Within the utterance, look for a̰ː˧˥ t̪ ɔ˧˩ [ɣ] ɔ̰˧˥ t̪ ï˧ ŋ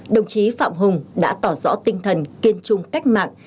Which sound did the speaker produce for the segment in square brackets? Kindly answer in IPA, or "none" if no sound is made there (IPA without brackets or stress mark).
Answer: z